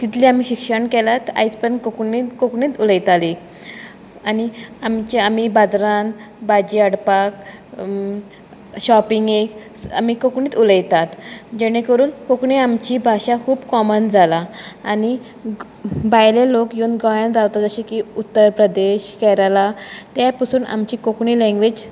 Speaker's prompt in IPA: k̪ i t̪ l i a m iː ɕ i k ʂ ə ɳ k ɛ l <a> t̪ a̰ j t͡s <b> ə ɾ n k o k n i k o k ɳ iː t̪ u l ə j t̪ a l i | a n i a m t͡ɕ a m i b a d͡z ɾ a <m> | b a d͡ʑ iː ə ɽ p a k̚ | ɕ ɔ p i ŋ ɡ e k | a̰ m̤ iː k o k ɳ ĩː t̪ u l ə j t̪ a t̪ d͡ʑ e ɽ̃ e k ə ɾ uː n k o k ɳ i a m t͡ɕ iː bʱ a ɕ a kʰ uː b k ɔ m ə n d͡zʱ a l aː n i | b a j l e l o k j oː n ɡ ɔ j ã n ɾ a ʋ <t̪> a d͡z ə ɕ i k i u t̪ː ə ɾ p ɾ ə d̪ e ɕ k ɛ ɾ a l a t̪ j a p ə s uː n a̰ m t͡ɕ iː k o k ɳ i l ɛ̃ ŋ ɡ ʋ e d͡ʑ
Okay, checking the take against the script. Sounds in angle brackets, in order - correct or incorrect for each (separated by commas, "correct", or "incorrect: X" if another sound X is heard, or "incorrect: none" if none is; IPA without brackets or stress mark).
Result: correct, incorrect: p, incorrect: n, correct